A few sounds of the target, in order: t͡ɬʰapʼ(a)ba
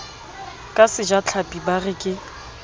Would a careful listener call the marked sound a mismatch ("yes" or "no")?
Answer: yes